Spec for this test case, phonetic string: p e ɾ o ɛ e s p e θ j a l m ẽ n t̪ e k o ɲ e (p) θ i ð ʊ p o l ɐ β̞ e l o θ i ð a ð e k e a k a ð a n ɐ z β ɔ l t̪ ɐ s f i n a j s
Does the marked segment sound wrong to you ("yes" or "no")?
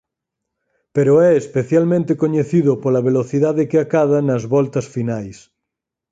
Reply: yes